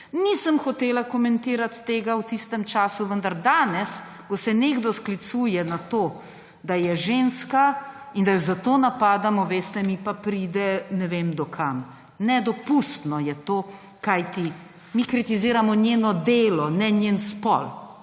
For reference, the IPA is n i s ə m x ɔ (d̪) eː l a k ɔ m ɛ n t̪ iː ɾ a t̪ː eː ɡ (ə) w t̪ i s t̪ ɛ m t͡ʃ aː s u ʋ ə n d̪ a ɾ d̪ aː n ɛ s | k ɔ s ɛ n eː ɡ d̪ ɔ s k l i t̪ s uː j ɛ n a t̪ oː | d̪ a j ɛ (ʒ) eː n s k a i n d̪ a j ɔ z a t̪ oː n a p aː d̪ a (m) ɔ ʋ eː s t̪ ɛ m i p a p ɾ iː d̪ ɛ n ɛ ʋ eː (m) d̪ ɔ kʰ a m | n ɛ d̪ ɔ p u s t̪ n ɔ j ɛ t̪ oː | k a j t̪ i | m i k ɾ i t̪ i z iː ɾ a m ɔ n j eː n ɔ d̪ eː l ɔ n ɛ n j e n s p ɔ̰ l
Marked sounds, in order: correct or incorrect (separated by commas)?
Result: incorrect, incorrect, correct, correct, correct